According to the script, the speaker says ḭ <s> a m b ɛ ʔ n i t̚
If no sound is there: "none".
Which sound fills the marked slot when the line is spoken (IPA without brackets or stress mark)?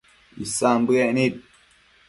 s